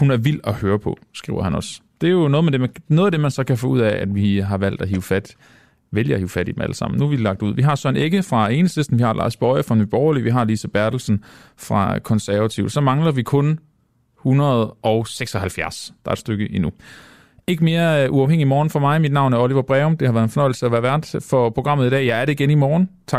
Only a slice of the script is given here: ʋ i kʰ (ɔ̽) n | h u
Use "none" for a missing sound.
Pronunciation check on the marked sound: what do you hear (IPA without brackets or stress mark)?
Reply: ɔ̽